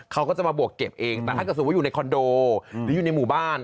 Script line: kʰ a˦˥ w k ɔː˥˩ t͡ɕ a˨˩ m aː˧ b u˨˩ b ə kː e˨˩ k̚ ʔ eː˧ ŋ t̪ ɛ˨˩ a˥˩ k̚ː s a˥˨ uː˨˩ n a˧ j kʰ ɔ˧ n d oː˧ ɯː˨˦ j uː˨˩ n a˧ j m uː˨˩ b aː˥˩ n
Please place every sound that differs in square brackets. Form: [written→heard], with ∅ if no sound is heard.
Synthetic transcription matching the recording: kʰ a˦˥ w k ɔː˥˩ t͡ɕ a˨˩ m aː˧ b u˨˩ [b→∅] ə kː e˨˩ [k̚→p̚] ʔ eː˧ ŋ t̪ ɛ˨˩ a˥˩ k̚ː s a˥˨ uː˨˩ n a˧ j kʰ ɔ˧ n d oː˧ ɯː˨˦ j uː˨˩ n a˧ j m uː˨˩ b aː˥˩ n